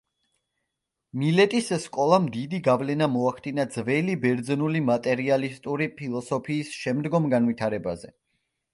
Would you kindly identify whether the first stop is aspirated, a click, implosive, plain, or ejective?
ejective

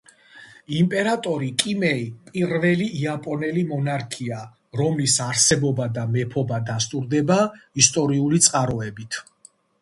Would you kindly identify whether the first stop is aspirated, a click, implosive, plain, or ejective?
ejective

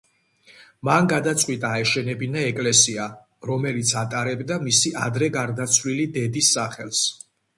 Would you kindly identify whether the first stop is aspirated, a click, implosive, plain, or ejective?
plain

